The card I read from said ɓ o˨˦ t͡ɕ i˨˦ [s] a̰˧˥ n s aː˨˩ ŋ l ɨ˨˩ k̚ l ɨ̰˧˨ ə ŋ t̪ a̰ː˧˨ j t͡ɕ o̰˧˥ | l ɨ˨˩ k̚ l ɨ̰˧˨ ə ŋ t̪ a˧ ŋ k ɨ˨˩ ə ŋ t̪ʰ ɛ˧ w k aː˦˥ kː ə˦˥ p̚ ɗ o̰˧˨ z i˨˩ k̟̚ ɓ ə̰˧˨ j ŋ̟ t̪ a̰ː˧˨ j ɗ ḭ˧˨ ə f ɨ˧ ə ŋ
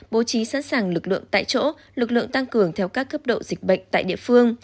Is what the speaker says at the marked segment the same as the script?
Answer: yes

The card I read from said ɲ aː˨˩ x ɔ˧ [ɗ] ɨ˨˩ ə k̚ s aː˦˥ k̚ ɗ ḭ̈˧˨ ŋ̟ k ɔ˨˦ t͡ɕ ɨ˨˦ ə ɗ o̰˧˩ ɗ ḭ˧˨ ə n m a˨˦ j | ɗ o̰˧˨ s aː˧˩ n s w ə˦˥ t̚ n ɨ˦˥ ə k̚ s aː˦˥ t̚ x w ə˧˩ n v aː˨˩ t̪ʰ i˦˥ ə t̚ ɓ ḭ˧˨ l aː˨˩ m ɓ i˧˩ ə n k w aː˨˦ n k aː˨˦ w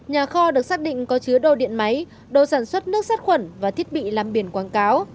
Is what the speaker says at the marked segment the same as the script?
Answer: yes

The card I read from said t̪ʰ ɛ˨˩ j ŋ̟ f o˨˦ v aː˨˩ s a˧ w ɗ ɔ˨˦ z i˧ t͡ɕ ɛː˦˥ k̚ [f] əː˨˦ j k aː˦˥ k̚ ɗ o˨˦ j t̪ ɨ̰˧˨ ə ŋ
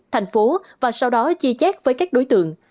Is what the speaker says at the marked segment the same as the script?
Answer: no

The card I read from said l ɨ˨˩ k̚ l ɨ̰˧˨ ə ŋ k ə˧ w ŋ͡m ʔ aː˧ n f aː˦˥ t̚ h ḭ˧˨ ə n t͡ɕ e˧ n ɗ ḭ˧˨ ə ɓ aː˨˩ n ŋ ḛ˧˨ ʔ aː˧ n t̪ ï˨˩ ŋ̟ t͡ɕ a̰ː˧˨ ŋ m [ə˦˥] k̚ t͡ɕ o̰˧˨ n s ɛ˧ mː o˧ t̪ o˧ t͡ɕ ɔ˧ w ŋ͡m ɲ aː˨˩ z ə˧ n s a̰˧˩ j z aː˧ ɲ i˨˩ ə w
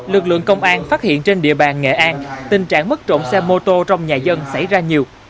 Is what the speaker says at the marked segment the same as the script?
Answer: yes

